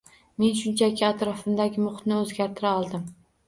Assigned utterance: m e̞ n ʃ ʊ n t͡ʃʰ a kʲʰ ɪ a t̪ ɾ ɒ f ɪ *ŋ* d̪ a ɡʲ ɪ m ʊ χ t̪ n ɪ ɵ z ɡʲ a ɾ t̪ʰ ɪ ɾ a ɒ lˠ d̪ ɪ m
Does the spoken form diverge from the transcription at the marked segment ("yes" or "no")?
yes